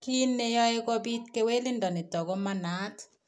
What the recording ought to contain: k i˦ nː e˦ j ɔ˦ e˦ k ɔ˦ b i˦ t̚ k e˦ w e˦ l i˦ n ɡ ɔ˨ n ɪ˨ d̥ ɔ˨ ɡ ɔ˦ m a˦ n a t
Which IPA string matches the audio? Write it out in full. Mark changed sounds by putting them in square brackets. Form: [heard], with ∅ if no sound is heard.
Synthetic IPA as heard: k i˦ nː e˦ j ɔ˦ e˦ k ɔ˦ b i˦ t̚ k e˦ w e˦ l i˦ n [d] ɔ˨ n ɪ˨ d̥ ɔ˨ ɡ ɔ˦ m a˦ n a t

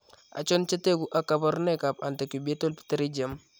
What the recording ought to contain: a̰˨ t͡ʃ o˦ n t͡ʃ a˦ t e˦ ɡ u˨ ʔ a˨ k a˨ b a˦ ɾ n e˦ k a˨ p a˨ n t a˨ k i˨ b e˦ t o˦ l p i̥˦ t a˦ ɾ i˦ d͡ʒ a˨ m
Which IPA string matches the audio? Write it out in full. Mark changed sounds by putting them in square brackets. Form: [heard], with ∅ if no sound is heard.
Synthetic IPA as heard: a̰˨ t͡ʃ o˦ n t͡ʃ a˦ t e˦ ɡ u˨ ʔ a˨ k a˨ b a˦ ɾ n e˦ k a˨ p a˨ n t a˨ k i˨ b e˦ t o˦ l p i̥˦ t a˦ ɾ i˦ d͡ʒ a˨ m

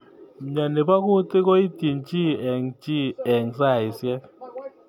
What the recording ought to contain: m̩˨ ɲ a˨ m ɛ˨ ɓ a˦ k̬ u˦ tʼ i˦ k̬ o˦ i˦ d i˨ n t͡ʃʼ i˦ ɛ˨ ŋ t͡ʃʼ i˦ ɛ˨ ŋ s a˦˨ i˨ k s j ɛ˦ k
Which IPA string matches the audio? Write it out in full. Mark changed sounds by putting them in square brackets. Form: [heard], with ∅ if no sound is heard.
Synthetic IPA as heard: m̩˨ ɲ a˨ [n] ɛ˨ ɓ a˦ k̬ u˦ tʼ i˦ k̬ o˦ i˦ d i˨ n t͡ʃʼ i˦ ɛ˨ ŋ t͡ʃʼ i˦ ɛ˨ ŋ s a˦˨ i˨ [∅] s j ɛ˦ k

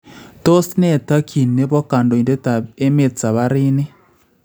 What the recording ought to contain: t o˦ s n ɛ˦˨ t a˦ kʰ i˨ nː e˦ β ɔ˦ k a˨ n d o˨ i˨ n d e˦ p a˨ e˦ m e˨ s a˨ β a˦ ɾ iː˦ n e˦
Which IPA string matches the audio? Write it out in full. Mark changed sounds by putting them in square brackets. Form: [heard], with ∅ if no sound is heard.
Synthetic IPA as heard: t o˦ s n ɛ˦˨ t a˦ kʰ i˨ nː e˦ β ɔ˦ k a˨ n d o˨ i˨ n d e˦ [t] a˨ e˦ m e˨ [t͡s] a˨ β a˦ ɾ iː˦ n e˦

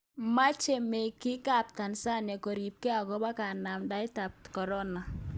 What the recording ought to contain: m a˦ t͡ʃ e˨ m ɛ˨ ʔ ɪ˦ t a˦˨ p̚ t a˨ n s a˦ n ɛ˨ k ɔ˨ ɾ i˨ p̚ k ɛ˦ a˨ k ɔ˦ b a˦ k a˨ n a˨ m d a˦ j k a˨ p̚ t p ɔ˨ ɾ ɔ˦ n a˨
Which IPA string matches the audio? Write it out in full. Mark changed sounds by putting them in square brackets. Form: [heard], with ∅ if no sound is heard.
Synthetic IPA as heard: m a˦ t͡ʃ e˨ m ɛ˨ [k] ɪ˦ [k] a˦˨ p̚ t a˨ n s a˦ n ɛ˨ k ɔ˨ ɾ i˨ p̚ k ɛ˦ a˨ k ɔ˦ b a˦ k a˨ n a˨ m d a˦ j [t] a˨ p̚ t [k] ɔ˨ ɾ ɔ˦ n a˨

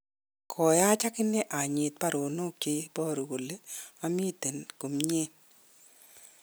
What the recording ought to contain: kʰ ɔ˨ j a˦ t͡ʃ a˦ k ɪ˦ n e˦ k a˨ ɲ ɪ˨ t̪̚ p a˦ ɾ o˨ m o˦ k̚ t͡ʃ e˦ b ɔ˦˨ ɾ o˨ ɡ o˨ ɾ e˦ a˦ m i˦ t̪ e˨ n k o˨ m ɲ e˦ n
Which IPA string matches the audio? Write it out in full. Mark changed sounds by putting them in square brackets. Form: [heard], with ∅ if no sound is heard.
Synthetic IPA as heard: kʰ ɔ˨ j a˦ t͡ʃ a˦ k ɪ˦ n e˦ [ʔ] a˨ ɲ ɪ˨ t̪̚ p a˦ ɾ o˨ [n] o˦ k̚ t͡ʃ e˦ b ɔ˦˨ ɾ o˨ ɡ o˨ [l] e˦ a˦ m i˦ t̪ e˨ n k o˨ m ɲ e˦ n

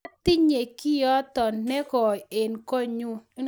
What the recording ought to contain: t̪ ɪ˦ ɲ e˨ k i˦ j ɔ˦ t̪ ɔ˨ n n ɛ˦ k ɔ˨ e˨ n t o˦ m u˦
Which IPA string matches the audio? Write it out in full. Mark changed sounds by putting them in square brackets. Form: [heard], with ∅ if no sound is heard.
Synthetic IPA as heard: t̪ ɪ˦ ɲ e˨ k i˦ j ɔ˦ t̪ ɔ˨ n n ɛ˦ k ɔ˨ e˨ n [k] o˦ [ɲ] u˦

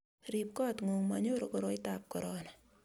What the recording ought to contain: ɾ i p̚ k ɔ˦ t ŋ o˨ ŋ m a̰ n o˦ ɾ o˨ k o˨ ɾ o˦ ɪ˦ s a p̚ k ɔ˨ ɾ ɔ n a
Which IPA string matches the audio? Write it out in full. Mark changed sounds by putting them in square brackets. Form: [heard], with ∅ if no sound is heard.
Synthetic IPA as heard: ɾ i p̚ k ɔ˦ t ŋ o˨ ŋ m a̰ [ɲ] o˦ ɾ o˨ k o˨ ɾ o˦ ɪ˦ [t] a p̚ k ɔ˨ ɾ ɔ n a

